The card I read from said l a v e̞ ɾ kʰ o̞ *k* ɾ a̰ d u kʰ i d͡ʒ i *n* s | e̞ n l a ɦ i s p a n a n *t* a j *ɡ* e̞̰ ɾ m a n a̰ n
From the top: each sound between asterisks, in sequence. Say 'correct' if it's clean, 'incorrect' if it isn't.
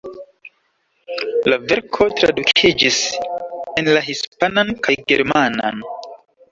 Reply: incorrect: t, incorrect: none, incorrect: k, correct

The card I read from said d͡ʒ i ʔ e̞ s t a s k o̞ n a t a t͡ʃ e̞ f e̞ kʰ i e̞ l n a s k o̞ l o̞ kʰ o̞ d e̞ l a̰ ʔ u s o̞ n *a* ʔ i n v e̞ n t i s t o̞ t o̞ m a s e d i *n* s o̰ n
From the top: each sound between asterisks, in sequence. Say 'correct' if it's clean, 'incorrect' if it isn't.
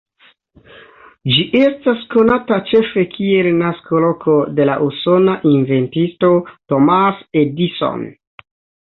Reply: correct, incorrect: none

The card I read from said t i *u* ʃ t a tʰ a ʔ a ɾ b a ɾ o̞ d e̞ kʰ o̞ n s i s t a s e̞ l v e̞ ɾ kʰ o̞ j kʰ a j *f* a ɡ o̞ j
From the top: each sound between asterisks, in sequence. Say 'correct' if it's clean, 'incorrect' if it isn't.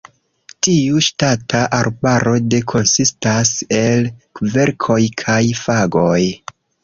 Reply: correct, correct

